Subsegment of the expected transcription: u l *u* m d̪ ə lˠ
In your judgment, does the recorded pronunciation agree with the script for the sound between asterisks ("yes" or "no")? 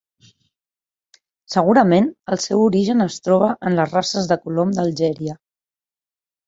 no